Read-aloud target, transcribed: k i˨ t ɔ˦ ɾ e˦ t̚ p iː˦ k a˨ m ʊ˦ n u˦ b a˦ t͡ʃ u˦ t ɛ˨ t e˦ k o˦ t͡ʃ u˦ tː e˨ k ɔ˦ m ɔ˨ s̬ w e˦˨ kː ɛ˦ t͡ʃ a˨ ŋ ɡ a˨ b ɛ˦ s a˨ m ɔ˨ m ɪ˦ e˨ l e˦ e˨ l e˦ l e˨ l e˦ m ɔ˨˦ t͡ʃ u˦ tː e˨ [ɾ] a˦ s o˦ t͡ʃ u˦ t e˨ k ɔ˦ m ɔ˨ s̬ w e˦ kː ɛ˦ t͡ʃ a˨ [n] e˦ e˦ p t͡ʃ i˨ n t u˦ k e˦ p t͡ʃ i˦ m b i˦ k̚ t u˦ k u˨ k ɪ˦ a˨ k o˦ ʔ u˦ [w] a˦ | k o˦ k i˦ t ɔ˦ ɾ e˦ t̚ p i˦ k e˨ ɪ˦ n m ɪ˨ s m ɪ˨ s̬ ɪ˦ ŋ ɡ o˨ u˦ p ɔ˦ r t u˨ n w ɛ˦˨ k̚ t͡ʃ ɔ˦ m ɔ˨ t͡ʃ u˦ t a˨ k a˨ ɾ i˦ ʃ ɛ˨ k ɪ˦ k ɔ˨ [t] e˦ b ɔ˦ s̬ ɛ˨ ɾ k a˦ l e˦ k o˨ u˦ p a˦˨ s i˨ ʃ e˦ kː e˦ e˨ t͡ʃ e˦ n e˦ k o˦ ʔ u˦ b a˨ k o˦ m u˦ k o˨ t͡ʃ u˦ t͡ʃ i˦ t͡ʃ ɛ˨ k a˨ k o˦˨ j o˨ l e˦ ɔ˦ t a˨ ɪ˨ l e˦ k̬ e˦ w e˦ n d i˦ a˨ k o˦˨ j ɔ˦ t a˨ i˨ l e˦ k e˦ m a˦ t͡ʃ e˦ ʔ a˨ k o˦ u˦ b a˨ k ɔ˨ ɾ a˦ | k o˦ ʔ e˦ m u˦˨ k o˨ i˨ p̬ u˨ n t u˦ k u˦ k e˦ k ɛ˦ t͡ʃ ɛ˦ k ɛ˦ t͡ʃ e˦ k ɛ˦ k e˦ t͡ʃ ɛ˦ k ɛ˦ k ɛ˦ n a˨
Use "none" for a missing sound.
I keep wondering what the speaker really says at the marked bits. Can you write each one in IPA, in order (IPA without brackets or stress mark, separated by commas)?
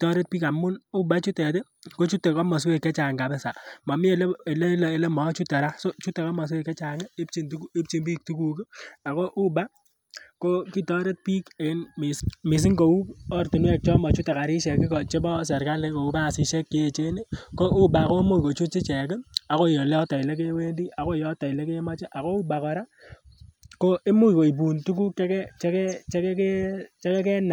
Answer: ɾ, ŋ, b, t͡ʃ